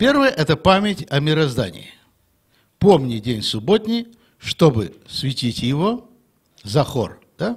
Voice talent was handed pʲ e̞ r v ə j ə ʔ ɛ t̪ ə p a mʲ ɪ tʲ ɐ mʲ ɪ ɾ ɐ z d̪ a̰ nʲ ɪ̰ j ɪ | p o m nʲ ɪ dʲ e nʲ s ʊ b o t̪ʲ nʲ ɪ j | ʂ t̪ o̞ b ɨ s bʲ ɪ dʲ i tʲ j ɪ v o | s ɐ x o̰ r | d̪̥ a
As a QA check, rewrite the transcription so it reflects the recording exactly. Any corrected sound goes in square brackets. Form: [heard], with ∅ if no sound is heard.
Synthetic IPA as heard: pʲ e̞ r v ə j ə ʔ ɛ t̪ ə p a mʲ ɪ tʲ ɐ mʲ ɪ ɾ ɐ z d̪ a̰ nʲ ɪ̰ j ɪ | p o m nʲ ɪ dʲ e nʲ s ʊ b o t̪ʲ nʲ ɪ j | ʂ t̪ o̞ b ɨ s [vʲ] ɪ [tʲ] i tʲ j ɪ v o | [z] ɐ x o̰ r | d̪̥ a